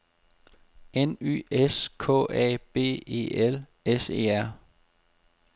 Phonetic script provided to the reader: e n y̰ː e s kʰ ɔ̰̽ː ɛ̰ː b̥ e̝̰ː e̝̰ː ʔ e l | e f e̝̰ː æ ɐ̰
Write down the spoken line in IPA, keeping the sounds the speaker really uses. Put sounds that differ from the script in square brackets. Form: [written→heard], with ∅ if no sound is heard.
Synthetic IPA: e n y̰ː e s kʰ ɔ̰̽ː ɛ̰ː b̥ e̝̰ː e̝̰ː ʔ e l | e [f→s] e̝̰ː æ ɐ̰